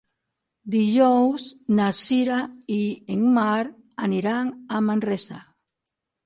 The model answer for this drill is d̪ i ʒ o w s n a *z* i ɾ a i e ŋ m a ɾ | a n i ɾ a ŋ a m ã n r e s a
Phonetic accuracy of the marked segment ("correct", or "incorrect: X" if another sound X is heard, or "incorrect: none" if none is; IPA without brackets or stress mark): incorrect: s